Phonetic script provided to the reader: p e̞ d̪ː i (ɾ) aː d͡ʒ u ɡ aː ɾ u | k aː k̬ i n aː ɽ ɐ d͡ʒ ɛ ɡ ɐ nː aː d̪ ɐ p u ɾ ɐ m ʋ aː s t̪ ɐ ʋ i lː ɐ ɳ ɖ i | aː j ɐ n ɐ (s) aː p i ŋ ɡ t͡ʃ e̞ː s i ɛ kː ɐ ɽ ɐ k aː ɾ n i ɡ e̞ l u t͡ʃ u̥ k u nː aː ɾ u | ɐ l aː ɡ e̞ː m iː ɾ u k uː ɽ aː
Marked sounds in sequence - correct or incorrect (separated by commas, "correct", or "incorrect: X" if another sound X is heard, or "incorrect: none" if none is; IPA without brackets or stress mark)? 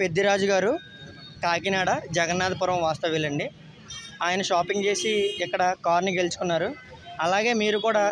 correct, incorrect: ʃ